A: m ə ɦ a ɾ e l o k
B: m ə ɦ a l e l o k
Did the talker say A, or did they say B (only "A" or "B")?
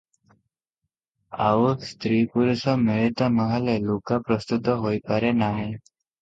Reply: B